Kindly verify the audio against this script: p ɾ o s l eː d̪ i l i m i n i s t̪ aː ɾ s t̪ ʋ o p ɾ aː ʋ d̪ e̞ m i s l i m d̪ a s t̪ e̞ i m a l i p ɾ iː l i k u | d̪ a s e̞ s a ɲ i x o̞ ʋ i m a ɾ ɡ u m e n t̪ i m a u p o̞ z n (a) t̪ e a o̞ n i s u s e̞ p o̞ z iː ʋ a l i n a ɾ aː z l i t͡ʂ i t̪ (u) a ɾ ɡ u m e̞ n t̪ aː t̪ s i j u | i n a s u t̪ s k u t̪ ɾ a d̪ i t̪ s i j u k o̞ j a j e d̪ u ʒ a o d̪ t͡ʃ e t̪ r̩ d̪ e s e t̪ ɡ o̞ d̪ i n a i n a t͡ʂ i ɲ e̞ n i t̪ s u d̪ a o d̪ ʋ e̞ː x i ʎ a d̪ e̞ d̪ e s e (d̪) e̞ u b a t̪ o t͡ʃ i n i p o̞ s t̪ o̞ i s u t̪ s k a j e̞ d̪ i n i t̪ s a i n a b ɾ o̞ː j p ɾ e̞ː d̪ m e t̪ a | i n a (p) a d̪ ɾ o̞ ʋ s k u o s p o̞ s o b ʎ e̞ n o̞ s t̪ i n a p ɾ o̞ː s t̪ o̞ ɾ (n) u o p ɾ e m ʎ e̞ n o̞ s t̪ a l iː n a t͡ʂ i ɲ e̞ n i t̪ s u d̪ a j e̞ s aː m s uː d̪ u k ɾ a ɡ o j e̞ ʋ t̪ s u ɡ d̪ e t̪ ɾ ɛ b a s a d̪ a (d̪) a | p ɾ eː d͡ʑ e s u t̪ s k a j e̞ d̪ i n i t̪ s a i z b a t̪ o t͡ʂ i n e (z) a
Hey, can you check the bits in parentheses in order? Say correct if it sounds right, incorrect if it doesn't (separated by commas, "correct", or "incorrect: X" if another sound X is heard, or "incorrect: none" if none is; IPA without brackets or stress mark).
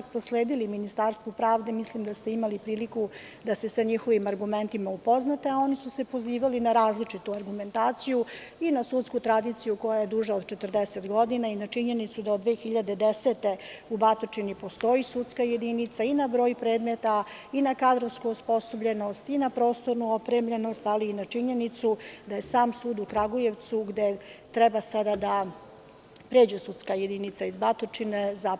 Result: correct, correct, incorrect: t̪, incorrect: k, correct, correct, correct